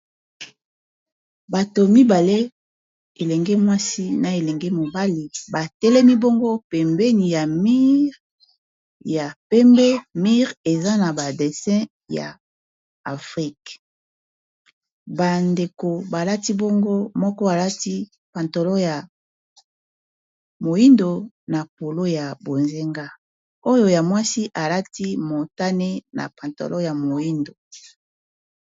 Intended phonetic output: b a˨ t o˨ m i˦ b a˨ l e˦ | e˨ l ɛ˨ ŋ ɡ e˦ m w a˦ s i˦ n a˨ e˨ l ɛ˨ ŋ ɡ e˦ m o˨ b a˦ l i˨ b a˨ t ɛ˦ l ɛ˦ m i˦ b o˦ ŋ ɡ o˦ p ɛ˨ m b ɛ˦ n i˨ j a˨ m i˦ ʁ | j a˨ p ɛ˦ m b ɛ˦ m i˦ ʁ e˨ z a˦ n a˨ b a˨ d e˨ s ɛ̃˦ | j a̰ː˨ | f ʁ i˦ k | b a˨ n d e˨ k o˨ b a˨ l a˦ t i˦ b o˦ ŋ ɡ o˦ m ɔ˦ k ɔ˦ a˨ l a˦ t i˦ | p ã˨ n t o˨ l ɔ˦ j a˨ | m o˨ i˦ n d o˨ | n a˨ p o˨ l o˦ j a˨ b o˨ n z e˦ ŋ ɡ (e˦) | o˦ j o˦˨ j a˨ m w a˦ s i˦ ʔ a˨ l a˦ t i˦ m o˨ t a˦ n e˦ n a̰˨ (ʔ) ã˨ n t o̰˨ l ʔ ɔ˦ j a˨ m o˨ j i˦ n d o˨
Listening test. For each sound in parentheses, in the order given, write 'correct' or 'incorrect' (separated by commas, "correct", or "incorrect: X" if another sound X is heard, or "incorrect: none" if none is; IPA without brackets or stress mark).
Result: incorrect: a˦, incorrect: p